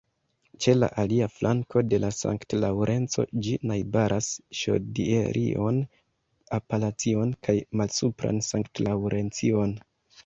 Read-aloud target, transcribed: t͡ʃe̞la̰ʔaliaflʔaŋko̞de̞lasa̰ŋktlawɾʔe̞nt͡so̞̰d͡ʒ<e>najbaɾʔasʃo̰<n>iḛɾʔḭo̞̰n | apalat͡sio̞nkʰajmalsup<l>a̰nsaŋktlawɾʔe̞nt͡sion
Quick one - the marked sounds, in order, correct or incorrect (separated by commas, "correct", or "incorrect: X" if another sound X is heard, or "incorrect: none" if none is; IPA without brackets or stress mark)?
incorrect: i, incorrect: d, incorrect: ɾ